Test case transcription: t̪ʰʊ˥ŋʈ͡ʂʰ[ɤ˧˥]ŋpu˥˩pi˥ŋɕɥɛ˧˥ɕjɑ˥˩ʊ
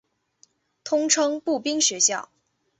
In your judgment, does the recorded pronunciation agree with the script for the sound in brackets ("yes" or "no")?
no